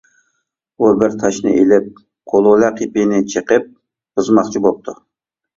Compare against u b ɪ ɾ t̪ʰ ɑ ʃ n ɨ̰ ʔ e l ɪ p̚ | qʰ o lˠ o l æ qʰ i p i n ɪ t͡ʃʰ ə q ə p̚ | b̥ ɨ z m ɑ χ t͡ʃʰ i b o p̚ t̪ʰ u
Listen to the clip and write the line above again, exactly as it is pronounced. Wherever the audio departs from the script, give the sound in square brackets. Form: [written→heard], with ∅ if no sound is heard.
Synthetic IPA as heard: u b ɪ ɾ t̪ʰ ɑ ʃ n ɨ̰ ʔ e l ɪ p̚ | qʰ o lˠ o l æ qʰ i p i n ɪ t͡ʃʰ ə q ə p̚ | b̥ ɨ z m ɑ χ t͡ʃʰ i b o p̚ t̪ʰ u